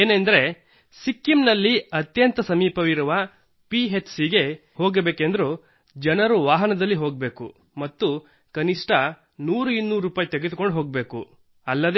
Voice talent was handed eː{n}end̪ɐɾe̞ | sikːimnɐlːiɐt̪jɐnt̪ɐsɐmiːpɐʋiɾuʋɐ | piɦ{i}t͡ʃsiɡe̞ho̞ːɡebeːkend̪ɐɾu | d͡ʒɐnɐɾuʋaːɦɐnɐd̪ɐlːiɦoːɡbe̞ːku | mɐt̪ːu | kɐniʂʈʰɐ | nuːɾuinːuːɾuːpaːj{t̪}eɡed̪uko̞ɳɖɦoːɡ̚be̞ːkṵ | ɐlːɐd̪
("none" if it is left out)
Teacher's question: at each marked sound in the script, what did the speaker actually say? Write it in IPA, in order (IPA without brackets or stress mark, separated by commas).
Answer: n, e, t̪